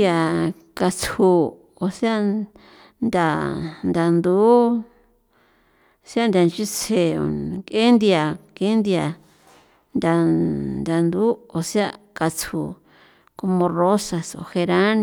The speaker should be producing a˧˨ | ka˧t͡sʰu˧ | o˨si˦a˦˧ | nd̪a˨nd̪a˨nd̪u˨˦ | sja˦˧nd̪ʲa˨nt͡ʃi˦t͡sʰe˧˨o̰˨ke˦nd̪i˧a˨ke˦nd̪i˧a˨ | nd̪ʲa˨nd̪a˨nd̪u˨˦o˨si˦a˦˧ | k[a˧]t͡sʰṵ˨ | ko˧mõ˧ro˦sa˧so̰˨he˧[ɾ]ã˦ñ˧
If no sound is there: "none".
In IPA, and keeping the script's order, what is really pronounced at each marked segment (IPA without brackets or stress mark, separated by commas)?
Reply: a˧, ɾ